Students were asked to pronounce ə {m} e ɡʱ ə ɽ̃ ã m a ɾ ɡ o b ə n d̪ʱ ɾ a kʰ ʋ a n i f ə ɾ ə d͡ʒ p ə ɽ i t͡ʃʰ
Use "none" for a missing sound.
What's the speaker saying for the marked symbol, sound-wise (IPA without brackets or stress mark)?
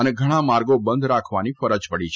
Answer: n